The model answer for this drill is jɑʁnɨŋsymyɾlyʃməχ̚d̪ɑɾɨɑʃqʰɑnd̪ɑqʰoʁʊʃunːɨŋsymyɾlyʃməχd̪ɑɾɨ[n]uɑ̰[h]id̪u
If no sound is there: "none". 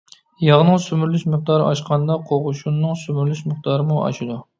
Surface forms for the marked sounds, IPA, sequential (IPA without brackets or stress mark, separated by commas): m, ʃ